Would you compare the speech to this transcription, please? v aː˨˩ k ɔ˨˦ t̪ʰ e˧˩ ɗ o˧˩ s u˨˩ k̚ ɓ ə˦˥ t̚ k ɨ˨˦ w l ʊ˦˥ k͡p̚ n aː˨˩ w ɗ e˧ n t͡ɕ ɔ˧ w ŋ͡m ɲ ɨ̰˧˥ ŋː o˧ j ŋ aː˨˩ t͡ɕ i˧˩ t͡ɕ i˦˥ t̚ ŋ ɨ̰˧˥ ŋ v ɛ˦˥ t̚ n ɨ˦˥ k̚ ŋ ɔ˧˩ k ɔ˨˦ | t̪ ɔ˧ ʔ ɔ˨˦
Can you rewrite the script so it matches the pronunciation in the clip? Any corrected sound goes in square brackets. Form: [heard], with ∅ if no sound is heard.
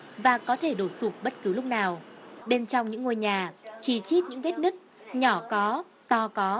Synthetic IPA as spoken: v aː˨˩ k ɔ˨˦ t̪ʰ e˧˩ ɗ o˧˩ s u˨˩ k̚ ɓ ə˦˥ t̚ k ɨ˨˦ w l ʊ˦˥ k͡p̚ n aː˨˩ w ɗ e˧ n t͡ɕ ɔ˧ w ŋ͡m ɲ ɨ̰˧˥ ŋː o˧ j [ɲ] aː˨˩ t͡ɕ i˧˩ t͡ɕ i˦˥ t̚ [ɲ] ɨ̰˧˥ ŋ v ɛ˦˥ t̚ n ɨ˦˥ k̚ [ɲ] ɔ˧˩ k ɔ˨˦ | t̪ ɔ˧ [k] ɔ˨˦